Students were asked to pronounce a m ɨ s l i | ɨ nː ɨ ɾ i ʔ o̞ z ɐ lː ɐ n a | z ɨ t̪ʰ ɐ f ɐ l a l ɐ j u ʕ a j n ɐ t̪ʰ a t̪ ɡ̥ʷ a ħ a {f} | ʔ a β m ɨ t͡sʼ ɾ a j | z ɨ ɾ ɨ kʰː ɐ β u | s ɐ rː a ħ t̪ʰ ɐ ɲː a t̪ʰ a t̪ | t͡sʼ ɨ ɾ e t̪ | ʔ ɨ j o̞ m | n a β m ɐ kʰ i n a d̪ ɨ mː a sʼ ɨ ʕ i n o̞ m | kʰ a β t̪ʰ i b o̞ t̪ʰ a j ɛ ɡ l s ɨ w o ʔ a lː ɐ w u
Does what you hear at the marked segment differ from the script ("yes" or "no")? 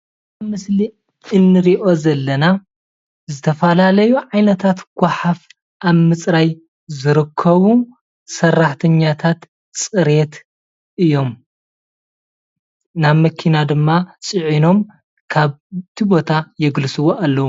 no